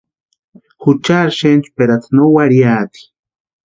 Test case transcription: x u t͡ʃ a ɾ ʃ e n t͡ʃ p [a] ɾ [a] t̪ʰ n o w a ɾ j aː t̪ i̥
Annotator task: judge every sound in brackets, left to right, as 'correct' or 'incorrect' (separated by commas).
incorrect, correct